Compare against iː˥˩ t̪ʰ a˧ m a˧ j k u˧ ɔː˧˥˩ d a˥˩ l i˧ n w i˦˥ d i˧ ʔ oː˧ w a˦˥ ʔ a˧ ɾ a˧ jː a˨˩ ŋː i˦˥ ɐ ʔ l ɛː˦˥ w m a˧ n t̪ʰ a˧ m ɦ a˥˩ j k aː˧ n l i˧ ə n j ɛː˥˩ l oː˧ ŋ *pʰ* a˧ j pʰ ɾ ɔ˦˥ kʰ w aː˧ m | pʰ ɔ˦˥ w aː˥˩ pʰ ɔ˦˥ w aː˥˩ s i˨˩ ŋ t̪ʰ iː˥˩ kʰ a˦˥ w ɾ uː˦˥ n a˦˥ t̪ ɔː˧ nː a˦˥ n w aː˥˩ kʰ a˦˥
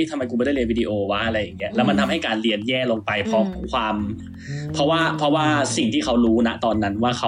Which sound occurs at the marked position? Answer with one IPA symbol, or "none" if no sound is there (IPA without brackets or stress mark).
p